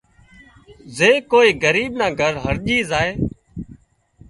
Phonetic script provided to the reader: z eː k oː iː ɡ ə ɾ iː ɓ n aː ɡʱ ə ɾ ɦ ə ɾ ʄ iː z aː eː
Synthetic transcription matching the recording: z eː k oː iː ɡ ə ɾ iː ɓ n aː ɡʱ ə ɾ ɦ ə ɾ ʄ iː z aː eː

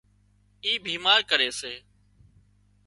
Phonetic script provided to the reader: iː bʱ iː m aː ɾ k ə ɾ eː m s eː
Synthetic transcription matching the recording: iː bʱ iː m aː ɾ k ə ɾ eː s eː

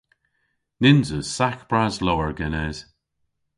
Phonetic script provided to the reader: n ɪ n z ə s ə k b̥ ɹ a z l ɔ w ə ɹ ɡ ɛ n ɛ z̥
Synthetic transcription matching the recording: n ɪ n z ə s a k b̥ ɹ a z l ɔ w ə ɹ ɡ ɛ n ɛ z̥

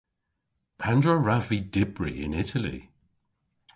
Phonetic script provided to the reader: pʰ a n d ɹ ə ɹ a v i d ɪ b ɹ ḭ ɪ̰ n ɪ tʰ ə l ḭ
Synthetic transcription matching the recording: pʰ a n d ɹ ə ɹ a v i d ɪ b ɹ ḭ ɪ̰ n ɪ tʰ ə l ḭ

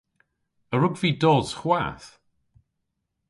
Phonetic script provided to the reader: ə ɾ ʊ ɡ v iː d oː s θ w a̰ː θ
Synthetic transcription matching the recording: ə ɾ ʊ ɡ v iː d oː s χ w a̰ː θ

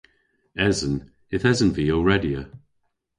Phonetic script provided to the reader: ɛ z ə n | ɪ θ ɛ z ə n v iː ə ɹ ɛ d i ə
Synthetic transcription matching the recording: ɛ z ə n | ɪ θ ɛ z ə n v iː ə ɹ ɛ d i ə

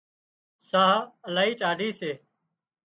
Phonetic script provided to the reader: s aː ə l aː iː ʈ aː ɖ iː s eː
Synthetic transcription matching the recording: s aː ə l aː iː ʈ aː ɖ iː s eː

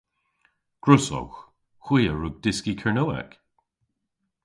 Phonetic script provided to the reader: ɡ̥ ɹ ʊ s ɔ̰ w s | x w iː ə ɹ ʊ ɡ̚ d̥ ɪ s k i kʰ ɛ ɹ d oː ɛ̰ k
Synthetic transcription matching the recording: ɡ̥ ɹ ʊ s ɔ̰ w x | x w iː ə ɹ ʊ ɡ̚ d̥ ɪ s k i kʰ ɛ ɹ n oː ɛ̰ k

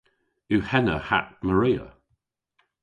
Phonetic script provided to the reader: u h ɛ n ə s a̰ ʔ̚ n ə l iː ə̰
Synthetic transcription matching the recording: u h ɛ n ə h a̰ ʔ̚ m ə ɹ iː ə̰

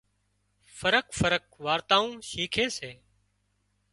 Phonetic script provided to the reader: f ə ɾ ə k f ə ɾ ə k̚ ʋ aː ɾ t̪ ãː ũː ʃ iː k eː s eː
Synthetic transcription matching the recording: f ə ɾ ə k f ə ɾ ə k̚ ʋ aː ɾ t̪ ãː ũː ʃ iː kʰ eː s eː

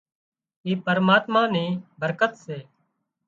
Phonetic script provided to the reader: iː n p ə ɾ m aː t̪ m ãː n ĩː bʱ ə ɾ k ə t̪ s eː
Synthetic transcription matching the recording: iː p ə ɾ m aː t̪ m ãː n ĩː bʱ ə ɾ k ə t̪ s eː

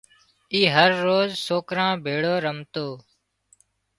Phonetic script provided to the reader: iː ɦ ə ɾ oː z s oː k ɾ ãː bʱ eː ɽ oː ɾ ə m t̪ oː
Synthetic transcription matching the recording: iː ɦ ə ɾː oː z s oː k ɾ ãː bʱ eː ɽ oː ɾ ə m t̪ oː

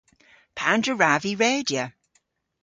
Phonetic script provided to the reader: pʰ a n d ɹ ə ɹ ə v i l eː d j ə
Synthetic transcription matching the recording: pʰ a n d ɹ ə ɹ a v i ɹ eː d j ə

